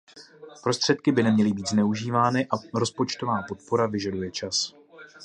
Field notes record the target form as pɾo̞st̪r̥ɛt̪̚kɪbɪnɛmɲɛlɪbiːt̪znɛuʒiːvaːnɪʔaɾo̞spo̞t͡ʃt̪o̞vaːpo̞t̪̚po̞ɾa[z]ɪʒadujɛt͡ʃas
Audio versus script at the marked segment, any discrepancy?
yes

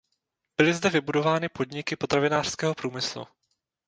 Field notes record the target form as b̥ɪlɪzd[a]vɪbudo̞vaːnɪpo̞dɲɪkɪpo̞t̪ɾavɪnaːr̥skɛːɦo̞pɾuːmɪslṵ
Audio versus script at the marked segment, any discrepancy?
yes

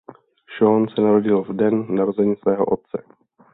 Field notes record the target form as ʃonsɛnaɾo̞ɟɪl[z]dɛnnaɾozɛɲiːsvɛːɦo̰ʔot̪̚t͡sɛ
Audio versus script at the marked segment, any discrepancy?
yes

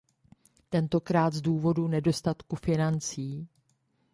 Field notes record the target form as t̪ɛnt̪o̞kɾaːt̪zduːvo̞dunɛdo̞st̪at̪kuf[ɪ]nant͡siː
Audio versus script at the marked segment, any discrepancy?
no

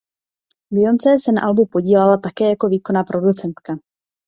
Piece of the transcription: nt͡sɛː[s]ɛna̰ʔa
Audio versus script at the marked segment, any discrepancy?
no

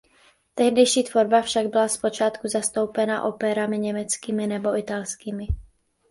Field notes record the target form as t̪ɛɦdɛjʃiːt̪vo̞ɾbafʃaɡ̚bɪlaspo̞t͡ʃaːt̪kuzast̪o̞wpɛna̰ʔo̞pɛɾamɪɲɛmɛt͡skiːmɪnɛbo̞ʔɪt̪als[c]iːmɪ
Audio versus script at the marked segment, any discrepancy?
yes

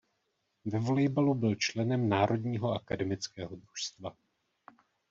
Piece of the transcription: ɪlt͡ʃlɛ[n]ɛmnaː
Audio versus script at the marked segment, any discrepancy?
no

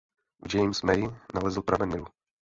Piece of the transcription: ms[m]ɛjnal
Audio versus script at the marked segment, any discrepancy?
no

